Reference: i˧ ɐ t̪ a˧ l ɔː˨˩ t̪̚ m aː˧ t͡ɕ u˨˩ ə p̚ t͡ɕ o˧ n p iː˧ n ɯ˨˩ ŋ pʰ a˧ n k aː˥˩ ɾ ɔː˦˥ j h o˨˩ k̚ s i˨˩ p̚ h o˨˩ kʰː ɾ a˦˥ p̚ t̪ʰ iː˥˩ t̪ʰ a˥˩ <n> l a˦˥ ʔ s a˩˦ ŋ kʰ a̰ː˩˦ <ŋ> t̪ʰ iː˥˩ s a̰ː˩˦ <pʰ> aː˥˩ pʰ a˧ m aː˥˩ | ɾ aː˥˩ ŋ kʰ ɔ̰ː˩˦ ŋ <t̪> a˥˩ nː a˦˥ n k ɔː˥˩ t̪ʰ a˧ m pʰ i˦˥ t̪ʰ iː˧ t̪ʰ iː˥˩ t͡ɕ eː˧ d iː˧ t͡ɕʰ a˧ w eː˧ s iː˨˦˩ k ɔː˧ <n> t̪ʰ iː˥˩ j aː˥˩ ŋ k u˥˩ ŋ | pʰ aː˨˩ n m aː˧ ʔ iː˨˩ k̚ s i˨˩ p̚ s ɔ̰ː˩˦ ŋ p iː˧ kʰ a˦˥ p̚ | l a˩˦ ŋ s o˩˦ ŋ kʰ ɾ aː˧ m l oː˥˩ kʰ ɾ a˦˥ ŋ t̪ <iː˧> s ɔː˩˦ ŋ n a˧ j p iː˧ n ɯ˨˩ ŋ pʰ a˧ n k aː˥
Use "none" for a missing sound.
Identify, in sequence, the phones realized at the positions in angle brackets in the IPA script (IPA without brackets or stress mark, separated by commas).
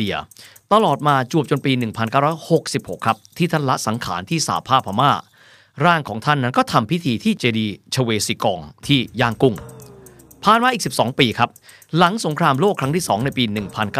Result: n, n, pʰ, t̪ʰ, ŋ, iː˥˩